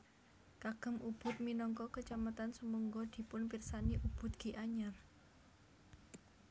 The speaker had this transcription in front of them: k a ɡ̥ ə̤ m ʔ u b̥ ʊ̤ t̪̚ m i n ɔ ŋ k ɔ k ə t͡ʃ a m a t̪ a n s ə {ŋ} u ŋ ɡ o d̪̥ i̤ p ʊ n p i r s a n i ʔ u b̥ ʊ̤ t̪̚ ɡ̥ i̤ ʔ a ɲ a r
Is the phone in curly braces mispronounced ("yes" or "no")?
yes